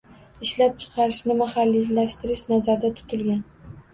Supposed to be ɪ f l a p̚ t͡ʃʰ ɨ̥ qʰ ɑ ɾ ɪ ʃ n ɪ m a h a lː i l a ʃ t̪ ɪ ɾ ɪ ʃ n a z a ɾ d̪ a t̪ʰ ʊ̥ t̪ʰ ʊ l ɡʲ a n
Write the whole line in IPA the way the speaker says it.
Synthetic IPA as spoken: ɪ ʃ l a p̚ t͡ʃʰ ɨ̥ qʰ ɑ ɾ ɪ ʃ n ɪ m a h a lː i l a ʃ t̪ ɪ ɾ ɪ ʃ n a z a ɾ d̪ a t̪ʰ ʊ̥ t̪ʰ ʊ l ɡʲ a n